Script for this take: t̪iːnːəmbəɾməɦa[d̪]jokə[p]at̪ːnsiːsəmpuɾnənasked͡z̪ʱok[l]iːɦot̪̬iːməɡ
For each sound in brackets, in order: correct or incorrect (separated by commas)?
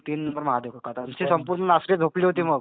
correct, incorrect, correct